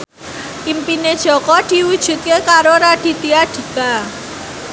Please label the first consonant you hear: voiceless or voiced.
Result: voiced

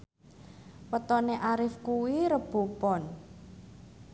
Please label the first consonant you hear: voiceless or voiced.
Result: voiced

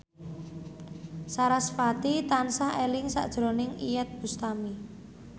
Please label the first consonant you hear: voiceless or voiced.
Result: voiceless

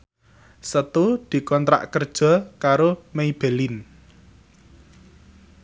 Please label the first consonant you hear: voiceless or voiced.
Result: voiceless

